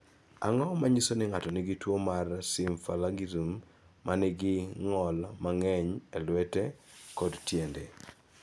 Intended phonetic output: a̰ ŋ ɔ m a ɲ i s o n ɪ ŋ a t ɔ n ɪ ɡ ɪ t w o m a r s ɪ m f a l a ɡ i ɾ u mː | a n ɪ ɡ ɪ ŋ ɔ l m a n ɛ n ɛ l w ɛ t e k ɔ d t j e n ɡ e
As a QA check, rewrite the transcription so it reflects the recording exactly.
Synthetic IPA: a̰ ŋ ɔ m a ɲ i s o n ɪ ŋ a t ɔ n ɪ ɡ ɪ t w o m a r s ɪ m f a l a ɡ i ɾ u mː | a n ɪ ɡ ɪ ŋ ɔ l m a ŋ ɛ ɲ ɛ l w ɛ t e k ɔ d t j e n d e